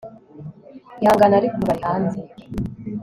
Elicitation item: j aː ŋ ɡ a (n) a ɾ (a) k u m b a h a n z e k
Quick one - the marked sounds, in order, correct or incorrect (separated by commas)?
correct, incorrect